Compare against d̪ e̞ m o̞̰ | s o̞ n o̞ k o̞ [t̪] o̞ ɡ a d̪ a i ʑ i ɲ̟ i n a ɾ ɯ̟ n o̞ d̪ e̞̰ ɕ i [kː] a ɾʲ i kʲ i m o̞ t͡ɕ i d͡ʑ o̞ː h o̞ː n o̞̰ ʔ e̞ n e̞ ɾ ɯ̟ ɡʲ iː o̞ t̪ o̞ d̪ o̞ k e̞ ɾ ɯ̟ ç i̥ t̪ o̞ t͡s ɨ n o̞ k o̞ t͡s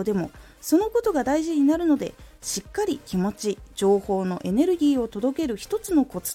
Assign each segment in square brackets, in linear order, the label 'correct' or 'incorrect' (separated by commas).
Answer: correct, correct